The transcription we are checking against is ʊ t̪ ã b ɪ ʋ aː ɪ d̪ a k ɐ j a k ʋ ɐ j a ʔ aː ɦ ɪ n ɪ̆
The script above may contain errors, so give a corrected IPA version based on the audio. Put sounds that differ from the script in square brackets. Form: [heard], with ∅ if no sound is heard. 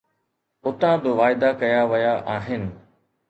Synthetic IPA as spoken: ʊ t̪ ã b ɪ ʋ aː ɪ d̪ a k ɐ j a [∅] ʋ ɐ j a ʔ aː ɦ ɪ n ɪ̆